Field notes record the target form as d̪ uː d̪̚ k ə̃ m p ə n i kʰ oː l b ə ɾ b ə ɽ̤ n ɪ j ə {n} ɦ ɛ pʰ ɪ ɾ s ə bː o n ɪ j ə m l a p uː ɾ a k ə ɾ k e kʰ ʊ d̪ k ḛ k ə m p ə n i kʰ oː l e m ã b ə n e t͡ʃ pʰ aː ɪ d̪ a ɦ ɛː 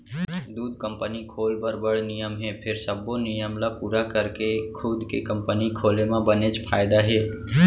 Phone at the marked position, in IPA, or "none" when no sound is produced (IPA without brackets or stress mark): m